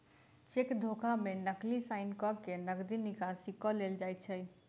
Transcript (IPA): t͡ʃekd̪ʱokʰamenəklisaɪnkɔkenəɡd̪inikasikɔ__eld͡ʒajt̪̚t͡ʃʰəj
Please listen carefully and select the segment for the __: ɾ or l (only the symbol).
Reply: l